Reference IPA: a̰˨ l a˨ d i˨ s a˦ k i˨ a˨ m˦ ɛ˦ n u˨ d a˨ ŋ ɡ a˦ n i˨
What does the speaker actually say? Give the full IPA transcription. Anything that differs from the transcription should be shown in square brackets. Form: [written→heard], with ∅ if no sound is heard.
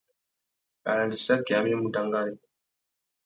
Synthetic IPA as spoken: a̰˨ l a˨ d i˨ s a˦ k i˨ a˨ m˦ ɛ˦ [n→m] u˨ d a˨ ŋ ɡ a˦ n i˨